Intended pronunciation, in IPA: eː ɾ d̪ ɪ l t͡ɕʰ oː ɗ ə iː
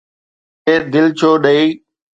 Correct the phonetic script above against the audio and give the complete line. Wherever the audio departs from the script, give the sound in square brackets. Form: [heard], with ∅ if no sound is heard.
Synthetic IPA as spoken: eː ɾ d̪ ɪ l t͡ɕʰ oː ɗ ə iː